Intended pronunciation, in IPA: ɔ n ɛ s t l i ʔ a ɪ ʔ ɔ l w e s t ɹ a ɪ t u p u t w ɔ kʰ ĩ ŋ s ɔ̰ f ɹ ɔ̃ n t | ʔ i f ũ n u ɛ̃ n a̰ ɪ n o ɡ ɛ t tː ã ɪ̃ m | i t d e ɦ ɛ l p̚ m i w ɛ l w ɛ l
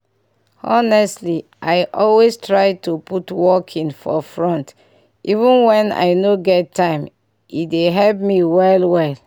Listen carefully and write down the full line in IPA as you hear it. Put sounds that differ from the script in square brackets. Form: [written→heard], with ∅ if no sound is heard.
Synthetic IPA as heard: ɔ n ɛ s t l i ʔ a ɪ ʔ ɔ l w e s t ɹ a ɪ t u p u t w ɔ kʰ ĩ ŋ [s→f] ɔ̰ f ɹ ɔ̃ n t | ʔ i [f→v] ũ n [u→w] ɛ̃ n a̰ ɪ n o ɡ ɛ t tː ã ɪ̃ m | i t d e ɦ ɛ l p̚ m i w ɛ l w ɛ l